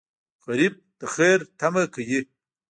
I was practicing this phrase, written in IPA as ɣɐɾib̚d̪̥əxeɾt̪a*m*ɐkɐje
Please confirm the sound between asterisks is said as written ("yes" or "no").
yes